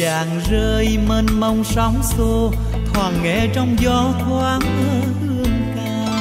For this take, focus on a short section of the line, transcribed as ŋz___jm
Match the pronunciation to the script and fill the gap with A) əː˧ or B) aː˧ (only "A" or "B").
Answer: A